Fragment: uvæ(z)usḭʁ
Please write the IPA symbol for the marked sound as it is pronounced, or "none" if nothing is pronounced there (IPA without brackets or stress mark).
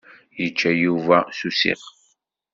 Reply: s